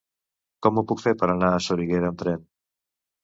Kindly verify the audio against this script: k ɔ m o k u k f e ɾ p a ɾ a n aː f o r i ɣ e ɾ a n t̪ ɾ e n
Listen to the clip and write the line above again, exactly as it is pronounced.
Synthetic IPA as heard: k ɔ m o p u k f e ɾ p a ɾ a n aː s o ɾ i ɣ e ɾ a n t̪ ɾ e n